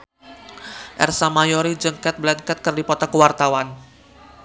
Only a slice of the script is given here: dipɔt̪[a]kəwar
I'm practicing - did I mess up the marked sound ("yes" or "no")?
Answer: no